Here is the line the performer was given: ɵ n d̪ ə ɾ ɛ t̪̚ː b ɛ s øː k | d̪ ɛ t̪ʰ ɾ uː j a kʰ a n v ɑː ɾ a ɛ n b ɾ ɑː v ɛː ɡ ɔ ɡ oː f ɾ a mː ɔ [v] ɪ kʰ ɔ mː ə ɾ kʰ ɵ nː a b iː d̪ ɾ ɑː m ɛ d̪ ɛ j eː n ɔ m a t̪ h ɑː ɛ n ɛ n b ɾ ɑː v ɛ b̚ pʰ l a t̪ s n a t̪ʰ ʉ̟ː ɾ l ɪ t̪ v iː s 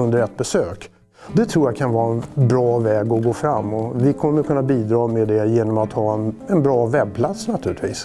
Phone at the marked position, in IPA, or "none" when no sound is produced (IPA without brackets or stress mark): v